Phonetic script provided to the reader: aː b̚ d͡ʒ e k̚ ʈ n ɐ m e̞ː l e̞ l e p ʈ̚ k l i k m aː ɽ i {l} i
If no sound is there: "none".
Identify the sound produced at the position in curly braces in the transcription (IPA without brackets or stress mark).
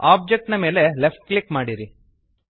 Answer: ɾ